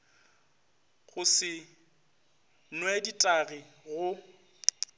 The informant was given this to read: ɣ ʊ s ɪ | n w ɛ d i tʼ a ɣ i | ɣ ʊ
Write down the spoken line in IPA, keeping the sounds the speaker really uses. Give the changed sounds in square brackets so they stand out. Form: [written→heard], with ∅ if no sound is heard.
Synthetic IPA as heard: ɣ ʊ s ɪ | n w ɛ d i tʼ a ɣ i | ɣ ʊ